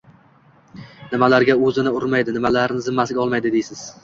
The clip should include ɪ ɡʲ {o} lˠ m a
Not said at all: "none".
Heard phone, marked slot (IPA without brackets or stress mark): ɒ